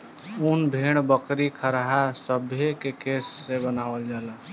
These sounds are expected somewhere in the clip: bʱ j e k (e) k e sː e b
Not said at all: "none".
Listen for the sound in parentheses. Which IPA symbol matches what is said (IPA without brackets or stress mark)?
e